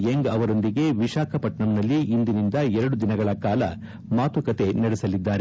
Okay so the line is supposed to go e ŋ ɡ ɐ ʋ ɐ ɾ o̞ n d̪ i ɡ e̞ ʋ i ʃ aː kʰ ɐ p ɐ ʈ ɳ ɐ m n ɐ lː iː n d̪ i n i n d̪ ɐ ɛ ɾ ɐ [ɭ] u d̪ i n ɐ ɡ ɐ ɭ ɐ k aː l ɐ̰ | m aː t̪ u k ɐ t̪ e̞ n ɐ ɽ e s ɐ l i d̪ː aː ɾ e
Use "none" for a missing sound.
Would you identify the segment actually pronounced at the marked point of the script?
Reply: ɽ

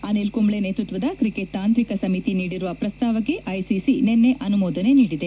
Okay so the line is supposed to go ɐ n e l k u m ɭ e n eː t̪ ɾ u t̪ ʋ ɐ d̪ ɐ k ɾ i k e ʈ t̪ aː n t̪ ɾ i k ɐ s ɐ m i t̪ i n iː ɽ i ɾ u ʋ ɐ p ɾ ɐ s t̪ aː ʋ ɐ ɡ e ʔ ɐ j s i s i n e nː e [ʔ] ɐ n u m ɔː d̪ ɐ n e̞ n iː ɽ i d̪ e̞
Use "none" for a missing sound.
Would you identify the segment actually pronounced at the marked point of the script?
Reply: ʔ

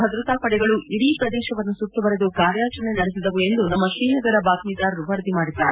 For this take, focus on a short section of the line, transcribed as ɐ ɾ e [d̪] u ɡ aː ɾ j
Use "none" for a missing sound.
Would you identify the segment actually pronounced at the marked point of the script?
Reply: d̪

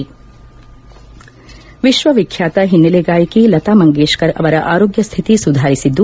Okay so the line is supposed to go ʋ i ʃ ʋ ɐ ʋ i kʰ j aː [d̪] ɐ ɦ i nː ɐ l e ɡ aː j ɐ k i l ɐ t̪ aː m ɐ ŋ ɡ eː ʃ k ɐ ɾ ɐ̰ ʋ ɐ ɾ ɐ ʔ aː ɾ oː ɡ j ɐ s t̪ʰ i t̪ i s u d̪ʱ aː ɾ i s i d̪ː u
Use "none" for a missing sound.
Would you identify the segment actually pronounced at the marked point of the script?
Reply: t̪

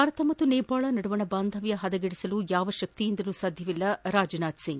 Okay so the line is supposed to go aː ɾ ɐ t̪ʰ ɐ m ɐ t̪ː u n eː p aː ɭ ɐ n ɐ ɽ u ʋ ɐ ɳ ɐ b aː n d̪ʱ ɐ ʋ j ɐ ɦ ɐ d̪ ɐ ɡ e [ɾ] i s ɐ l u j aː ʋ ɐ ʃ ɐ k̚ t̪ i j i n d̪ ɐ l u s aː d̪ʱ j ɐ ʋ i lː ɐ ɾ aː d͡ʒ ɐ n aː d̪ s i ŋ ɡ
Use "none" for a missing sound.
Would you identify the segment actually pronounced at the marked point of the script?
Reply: ɽ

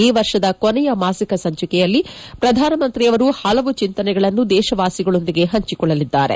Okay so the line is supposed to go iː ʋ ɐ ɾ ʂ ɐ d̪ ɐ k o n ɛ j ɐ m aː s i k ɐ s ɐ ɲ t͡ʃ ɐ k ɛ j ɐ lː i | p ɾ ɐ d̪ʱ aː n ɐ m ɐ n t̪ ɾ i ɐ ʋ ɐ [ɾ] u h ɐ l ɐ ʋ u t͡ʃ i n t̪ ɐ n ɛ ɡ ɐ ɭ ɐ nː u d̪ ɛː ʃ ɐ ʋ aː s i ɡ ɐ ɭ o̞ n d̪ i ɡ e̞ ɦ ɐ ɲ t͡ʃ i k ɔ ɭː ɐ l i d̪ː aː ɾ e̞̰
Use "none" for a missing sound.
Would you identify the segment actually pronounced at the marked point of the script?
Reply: ɾ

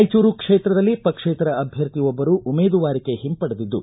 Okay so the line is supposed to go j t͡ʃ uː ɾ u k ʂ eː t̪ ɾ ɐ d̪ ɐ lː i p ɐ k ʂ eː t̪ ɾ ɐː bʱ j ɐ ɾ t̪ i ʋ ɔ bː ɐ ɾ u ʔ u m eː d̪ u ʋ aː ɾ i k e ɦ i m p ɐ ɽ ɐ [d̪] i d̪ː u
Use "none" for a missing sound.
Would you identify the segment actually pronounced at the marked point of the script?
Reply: d̪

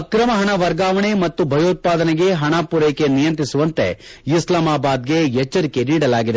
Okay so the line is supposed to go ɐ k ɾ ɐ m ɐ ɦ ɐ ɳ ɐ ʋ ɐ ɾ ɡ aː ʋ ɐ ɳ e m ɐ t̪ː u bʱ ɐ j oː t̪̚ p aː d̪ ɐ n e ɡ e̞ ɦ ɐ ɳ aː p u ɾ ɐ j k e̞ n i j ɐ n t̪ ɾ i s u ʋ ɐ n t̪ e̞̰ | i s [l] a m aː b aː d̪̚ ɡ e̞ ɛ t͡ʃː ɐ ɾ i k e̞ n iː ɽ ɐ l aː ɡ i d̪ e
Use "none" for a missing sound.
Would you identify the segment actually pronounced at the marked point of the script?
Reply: l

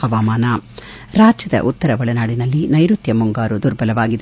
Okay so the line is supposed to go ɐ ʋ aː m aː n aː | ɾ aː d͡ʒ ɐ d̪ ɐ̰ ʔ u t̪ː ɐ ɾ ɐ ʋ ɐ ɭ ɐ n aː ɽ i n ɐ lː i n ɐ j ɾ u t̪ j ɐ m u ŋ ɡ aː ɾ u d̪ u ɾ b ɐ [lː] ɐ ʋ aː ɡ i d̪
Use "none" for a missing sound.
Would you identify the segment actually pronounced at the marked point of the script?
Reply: l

